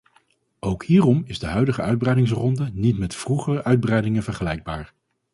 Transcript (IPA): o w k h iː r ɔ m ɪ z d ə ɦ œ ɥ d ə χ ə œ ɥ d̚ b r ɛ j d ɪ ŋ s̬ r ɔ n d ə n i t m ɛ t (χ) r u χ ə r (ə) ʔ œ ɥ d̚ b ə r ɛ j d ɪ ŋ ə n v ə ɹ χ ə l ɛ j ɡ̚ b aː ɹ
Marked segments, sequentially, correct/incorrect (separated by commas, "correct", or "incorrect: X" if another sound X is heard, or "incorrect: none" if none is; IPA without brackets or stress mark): incorrect: f, correct